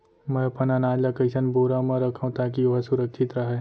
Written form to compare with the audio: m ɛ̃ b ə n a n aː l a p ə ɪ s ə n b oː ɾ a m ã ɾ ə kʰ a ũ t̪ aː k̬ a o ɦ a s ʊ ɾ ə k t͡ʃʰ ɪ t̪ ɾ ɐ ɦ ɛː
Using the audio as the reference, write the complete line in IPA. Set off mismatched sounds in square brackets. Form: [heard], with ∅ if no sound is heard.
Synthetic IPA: m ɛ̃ [p] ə n a n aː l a [k] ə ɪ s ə n b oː ɾ a m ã ɾ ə kʰ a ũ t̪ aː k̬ [i] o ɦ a s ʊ ɾ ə k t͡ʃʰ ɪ t̪ ɾ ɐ ɦ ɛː